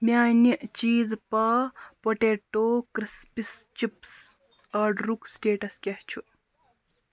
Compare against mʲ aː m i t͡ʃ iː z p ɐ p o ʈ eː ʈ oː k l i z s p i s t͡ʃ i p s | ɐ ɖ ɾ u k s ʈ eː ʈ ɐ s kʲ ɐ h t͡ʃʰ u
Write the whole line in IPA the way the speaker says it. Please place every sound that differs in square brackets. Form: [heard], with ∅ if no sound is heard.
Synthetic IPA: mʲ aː [n] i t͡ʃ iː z p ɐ p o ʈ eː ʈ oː k [ɾ] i [∅] s p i s t͡ʃ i p s | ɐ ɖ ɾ u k s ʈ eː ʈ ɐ s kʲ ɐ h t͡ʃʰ u

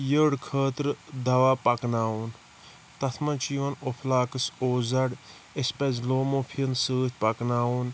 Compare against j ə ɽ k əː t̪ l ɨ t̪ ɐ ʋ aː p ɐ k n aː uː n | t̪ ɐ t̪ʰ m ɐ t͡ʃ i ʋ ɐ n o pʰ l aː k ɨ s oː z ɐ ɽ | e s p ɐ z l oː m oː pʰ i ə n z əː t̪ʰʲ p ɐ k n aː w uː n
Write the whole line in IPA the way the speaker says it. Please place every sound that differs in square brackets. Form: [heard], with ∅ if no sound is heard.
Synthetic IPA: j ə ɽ [kʰ] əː t̪ [ɾ] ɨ [d̪] ɐ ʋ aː p ɐ k n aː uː n | t̪ ɐ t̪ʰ m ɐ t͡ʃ i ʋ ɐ n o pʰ l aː k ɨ s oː z ɐ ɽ | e s p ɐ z l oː m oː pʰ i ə n [s] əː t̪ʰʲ p ɐ k n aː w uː n

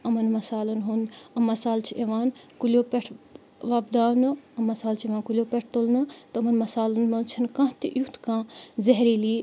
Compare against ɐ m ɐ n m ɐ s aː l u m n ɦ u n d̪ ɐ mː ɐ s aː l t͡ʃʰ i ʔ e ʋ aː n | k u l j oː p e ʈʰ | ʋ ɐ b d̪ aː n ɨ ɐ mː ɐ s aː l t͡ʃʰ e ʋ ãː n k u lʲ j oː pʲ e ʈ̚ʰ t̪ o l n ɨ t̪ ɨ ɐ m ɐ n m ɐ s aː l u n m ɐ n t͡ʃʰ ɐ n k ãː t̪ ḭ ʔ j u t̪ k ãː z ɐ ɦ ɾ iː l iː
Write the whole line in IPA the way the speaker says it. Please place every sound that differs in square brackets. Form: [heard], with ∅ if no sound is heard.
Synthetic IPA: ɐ m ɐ n m ɐ s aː l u [∅] n ɦ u n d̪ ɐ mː ɐ s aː l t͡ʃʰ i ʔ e ʋ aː n | k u l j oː p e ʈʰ | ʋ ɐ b d̪ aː n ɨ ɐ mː ɐ s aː l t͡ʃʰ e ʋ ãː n k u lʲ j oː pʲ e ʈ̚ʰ t̪ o l n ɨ t̪ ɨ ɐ m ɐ n m ɐ s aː l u n m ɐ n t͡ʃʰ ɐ n k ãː t̪ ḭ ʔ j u t̪ k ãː z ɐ ɦ ɾ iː l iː

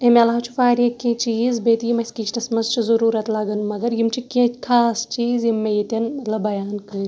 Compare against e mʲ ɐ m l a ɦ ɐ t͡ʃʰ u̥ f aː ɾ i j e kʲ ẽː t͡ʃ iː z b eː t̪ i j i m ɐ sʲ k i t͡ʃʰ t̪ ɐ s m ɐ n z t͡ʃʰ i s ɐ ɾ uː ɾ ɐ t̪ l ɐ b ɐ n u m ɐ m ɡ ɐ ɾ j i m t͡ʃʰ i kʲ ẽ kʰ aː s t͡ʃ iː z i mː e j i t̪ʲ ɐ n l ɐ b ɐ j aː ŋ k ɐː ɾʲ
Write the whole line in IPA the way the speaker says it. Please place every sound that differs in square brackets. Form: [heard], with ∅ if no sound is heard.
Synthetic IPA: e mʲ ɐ [∅] l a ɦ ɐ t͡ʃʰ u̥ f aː ɾ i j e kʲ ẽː t͡ʃ iː z b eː t̪ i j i m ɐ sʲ k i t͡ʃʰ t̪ ɐ s m ɐ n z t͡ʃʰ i [z] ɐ ɾ uː ɾ ɐ t̪ l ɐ [ɡ] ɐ n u m ɐ [∅] ɡ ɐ ɾ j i m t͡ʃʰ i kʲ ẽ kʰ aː s t͡ʃ iː z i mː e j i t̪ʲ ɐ n l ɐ b ɐ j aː [n] k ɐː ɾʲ

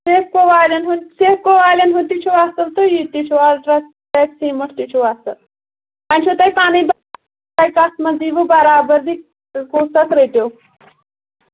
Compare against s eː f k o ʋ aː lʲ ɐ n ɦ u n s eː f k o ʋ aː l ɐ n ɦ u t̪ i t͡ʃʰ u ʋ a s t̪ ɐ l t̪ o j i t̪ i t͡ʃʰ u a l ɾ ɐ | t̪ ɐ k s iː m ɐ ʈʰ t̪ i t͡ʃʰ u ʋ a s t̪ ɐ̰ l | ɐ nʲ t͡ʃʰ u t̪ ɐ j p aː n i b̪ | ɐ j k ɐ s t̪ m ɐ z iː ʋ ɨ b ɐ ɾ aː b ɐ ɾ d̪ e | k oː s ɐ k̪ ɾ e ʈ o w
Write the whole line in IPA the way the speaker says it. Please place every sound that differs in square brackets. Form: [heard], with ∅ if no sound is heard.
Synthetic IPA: s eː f k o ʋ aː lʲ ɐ n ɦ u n s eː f k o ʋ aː l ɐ n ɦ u t̪ i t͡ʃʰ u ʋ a s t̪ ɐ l t̪ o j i t̪ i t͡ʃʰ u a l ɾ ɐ | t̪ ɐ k s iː m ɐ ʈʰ t̪ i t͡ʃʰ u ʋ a s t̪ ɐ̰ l | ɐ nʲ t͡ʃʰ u t̪ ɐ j p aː n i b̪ | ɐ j k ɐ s t̪ m ɐ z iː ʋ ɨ b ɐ ɾ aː b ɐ ɾ d̪ [i] | k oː s ɐ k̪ ɾ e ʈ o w

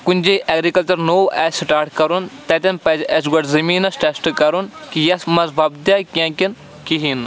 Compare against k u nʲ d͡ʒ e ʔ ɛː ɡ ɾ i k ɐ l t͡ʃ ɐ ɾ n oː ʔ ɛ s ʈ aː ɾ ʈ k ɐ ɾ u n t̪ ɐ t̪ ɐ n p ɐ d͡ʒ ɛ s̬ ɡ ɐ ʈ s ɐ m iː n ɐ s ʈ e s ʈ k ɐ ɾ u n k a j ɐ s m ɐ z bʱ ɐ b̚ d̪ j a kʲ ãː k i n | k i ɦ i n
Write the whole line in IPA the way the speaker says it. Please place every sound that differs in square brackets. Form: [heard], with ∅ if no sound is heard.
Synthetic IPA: k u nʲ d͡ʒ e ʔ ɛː ɡ ɾ i k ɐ l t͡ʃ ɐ ɾ n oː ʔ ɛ s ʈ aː ɾ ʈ k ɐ ɾ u n t̪ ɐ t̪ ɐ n p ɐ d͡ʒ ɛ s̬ ɡ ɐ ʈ [z] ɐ m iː n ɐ s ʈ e s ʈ k ɐ ɾ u n k [i] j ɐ s m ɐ z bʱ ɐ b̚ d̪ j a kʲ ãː k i n | k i ɦ i n

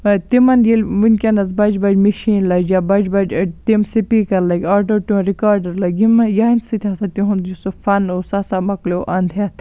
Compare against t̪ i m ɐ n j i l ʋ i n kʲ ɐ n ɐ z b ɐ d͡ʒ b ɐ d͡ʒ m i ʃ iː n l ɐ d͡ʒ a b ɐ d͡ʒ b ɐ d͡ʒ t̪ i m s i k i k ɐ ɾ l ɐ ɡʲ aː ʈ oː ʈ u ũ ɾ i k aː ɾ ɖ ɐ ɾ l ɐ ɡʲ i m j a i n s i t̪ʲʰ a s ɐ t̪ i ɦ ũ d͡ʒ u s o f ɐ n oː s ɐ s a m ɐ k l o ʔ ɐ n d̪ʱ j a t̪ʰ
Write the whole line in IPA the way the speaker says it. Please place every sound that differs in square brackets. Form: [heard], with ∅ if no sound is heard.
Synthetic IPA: t̪ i m ɐ n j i l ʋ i n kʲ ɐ n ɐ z b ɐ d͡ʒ b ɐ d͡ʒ m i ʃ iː n l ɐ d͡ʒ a b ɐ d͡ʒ b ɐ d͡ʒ t̪ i m s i [p] i k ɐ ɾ l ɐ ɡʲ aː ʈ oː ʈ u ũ ɾ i k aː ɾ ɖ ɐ ɾ l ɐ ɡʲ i m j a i n s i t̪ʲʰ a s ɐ t̪ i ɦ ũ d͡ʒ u s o f ɐ n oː s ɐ s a m ɐ k l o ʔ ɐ n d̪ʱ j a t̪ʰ

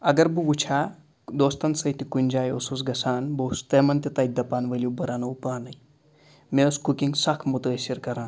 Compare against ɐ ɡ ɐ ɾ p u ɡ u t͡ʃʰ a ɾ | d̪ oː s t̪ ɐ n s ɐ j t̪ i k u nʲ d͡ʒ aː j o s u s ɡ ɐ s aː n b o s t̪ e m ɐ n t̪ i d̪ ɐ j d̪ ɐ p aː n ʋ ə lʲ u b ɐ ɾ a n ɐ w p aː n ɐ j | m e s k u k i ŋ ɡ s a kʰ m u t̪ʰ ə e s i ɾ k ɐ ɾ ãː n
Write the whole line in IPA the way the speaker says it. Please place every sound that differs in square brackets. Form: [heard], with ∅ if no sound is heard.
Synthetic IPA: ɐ ɡ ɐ ɾ [b] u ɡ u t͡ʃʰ a [∅] | d̪ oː s t̪ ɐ n s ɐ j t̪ i k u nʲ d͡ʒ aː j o s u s ɡ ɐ s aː n b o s t̪ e m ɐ n t̪ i [t̪] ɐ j d̪ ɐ p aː n ʋ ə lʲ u b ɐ ɾ a n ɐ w p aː n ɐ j | m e s k u k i ŋ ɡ s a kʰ m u [t̪] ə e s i ɾ k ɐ ɾ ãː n

